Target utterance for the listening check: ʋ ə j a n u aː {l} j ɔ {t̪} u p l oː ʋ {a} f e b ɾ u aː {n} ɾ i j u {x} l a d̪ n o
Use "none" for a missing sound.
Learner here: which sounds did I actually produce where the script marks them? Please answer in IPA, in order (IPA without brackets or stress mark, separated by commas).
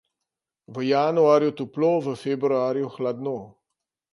ɾ, t̪, ə, none, x